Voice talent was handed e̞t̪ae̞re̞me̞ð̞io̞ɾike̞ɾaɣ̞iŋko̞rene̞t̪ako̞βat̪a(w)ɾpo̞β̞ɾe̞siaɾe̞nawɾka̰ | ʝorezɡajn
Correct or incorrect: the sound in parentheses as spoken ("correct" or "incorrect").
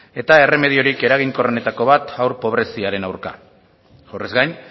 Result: correct